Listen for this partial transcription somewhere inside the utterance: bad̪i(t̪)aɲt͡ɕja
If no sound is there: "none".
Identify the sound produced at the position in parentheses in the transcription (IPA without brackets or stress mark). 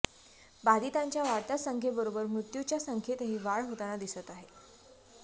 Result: t̪